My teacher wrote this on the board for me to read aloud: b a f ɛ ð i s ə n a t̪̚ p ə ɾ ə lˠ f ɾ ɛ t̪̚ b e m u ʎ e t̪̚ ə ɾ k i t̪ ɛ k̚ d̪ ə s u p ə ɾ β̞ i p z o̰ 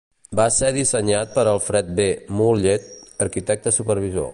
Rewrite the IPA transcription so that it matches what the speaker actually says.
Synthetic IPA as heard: b a s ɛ ð i s ə ɲ a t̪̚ p ə ɾ ə lˠ f ɾ ɛ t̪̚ b e m u ʎ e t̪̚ ə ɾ k i t̪ ɛ k̚ t̪ ə s u p ə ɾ β̞ i z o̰